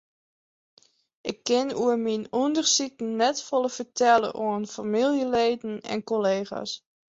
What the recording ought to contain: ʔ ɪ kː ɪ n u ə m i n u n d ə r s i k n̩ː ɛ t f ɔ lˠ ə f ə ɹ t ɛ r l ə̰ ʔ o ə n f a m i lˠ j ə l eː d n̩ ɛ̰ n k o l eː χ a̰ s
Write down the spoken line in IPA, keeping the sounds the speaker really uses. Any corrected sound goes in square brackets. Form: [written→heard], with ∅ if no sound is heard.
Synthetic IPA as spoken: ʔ ɪ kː ɪ n u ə m i n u n d ə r s i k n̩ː ɛ t f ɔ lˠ ə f ə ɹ t ɛ [r→∅] l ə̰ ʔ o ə n f a m i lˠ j ə l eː d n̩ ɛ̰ n k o l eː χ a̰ s

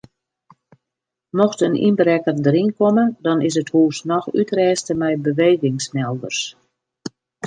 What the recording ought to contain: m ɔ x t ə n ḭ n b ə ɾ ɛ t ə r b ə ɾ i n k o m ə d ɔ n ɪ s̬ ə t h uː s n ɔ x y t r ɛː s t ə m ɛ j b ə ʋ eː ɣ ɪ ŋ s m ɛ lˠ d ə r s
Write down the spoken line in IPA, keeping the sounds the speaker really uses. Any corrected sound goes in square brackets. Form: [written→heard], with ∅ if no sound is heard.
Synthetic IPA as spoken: m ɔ x t ə n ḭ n b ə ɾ ɛ [t→k] ə r [b→d] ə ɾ i n k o m ə d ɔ n ɪ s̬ ə t h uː s n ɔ x y t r ɛː s t ə m ɛ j b ə ʋ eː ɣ ɪ ŋ s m ɛ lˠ d ə r s

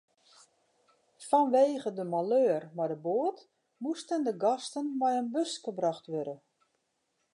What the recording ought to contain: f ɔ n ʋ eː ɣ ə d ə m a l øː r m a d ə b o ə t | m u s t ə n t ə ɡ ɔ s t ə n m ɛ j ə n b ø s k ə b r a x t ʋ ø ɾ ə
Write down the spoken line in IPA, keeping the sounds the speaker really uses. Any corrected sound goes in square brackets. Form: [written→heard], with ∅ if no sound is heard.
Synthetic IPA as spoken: f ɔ n ʋ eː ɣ ə d ə m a l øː r m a d ə b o ə t | m u s t ə n [t→d] ə ɡ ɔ s t ə n m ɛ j ə n b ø s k ə b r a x t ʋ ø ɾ ə

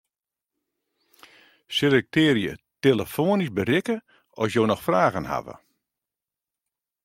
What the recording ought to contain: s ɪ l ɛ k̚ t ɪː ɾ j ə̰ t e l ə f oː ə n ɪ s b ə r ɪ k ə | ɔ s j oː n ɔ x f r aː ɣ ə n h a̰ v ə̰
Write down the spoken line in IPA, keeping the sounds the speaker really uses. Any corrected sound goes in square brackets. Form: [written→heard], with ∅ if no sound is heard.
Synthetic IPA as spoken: s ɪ l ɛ k̚ t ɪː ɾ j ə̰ t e l ə f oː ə n [ɪ→i] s b ə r ɪ k ə | ɔ s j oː n ɔ x f r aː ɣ ə n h a̰ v ə̰

